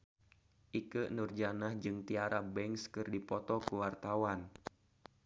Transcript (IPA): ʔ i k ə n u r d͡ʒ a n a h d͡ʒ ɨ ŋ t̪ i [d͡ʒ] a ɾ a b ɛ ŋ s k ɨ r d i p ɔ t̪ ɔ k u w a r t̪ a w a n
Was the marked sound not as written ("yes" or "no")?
yes